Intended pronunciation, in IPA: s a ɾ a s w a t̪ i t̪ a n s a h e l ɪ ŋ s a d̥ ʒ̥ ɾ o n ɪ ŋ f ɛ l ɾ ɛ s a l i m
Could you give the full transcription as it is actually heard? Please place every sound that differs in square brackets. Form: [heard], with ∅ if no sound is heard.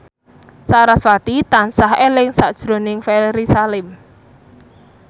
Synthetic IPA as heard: s a ɾ a s w a t̪ i t̪ a n s a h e l ɪ ŋ s a d̥ ʒ̥ ɾ o n ɪ ŋ f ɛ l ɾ [i] s a l [ɪ] m